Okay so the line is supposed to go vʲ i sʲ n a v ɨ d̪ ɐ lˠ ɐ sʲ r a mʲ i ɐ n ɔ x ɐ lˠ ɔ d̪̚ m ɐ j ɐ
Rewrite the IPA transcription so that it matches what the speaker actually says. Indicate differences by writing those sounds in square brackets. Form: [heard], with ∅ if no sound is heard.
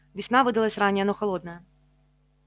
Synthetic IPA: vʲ i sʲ n a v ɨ d̪ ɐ lˠ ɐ sʲ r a [nʲ] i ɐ n ɔ x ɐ lˠ ɔ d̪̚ [n] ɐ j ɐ

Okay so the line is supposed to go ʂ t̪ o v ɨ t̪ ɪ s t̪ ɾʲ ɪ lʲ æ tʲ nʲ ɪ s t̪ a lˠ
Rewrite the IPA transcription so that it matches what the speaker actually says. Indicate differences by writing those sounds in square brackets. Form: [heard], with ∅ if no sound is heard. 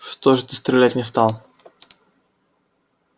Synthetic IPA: ʂ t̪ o [ʐ] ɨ t̪ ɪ s t̪ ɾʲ ɪ lʲ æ tʲ nʲ ɪ s t̪ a lˠ

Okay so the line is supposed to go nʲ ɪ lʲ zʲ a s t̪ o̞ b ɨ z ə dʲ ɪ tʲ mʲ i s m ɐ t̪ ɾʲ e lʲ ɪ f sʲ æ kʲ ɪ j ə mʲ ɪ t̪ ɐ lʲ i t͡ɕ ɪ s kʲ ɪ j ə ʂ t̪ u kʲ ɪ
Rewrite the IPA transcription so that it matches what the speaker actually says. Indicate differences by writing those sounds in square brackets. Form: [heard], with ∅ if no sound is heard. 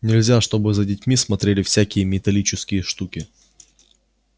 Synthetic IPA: nʲ ɪ lʲ zʲ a [ʂ] t̪ o̞ b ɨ z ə dʲ ɪ tʲ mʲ i s m ɐ t̪ ɾʲ e lʲ ɪ f sʲ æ kʲ ɪ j ə mʲ ɪ t̪ ɐ lʲ i t͡ɕ ɪ s kʲ ɪ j ə ʂ t̪ u kʲ ɪ

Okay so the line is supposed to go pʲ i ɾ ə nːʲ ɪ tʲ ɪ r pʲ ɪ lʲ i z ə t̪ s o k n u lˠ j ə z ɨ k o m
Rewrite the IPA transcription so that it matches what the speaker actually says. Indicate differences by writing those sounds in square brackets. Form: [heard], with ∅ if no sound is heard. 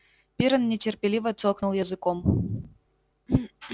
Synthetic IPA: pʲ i ɾ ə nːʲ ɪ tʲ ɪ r pʲ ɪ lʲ i [v] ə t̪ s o k n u lˠ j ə z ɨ k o m

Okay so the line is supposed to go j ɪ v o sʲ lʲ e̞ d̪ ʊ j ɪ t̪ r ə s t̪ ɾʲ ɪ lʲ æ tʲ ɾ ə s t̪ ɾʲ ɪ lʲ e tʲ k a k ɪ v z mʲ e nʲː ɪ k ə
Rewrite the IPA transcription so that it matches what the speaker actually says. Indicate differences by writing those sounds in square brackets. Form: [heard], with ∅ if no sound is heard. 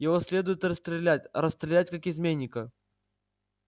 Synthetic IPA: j ɪ v o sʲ lʲ e̞ d̪ ʊ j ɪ t̪ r ə s t̪ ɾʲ ɪ lʲ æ tʲ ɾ ə s t̪ ɾʲ ɪ lʲ [æ] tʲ k a k ɪ [∅] z mʲ e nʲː ɪ k ə

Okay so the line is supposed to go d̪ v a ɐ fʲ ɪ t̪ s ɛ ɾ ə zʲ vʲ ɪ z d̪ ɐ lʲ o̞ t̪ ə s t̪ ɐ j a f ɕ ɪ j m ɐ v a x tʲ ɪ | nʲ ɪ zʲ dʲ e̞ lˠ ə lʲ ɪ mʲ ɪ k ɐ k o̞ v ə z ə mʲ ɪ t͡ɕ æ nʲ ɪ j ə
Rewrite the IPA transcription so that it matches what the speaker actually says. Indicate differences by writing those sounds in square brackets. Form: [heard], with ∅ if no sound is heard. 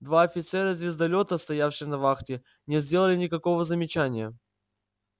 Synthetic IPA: d̪ v a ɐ fʲ ɪ t̪ s ɛ ɾ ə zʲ vʲ ɪ z d̪ ɐ lʲ o̞ t̪ ə s t̪ ɐ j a f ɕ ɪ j [n] ɐ v a x tʲ ɪ | nʲ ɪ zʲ dʲ e̞ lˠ ə lʲ ɪ [nʲ] ɪ k ɐ k o̞ v ə z ə mʲ ɪ t͡ɕ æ nʲ ɪ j ə

